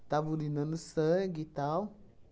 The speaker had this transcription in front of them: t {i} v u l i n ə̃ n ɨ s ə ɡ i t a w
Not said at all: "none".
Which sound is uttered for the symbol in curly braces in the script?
a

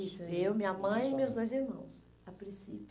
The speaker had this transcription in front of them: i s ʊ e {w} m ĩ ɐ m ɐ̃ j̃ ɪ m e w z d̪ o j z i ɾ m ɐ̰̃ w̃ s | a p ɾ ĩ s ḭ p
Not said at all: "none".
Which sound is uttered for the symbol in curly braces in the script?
w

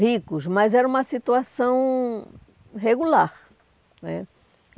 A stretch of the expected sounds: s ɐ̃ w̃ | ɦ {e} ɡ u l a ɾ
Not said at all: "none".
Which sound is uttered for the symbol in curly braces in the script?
e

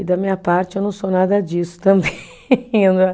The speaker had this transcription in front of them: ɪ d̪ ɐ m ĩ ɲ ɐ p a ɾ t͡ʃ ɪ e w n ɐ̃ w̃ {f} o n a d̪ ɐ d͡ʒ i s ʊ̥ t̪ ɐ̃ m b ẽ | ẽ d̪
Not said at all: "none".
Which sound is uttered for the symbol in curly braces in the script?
s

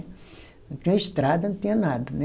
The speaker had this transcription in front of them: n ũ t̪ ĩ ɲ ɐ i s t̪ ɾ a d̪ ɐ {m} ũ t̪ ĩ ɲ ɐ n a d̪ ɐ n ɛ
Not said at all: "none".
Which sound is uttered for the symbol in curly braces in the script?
n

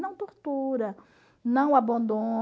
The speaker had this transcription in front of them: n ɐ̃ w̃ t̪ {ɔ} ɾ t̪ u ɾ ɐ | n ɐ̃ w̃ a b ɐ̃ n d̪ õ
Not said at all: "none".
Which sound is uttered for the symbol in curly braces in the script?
o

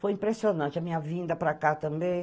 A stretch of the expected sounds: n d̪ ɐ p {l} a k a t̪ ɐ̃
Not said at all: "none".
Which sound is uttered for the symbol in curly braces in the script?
ɾ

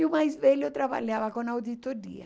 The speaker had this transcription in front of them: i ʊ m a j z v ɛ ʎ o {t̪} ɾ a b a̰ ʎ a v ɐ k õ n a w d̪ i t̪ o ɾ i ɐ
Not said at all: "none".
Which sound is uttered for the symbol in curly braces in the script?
t̪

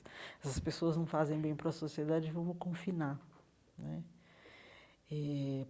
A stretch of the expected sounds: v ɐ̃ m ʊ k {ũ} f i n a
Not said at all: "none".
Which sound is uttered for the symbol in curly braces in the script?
õ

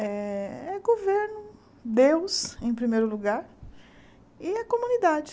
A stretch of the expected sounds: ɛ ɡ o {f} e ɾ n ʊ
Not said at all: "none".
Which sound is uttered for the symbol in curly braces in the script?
v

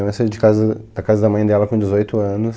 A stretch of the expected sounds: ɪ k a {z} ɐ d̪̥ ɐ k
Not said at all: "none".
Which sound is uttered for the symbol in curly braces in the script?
z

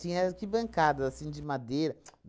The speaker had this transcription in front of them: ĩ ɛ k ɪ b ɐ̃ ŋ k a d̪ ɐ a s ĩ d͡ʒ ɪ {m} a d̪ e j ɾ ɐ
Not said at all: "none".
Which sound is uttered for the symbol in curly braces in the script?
m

